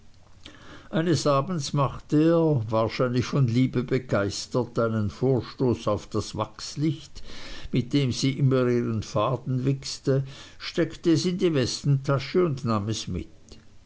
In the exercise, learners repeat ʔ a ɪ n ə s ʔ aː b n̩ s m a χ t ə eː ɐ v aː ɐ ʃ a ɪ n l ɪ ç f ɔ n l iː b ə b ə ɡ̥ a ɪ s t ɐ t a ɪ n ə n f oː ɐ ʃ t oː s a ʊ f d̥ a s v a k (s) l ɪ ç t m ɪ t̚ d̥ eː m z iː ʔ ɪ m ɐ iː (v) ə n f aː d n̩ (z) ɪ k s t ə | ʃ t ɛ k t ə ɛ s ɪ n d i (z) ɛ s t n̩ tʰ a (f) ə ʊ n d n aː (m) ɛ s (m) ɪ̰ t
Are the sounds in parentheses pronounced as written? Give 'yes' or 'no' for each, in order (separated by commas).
yes, no, no, no, no, yes, yes